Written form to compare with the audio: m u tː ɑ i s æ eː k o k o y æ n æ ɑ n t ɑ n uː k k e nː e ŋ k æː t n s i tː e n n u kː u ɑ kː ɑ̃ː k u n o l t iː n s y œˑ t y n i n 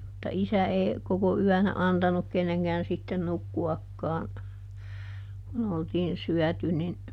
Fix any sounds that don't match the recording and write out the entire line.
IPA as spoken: m u tː ɑ i s æ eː k o k o y æ n æ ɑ n t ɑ n u k k e nː e ŋ k æː n s i tː e n n u kː u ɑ kː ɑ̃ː k u n o l t iː n s y œˑ t y n i n